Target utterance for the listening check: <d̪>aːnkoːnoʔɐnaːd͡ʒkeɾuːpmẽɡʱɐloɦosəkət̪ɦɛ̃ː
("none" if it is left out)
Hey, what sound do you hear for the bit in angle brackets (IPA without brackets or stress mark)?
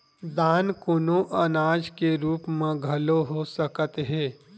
d̪